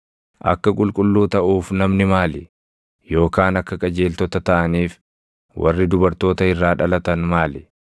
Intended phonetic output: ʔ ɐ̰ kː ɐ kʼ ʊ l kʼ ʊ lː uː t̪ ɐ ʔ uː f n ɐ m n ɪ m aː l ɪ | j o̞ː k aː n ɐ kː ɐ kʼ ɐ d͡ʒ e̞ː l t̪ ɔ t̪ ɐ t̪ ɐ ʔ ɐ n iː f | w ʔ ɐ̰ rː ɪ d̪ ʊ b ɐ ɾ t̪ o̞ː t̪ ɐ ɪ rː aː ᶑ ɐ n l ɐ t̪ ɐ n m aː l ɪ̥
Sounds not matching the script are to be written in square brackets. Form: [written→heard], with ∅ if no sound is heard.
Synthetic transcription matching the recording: ʔ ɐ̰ kː ɐ kʼ ʊ l kʼ ʊ lː uː t̪ ɐ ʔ uː f n ɐ m n ɪ m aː l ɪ | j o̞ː k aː n ɐ kː ɐ kʼ ɐ d͡ʒ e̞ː l t̪ ɔ t̪ ɐ t̪ ɐ ʔ ɐ n iː f | w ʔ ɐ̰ rː ɪ d̪ ʊ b ɐ ɾ t̪ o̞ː t̪ ɐ ɪ rː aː ᶑ ɐ [n→∅] l ɐ t̪ ɐ n m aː l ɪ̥